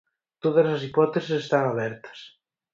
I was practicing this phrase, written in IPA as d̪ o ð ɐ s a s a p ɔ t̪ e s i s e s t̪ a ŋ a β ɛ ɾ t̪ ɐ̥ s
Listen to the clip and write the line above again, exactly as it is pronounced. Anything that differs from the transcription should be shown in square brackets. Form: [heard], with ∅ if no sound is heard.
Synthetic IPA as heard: [t̪] o ð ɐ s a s [i] p ɔ t̪ e s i s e s t̪ a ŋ a β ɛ ɾ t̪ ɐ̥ s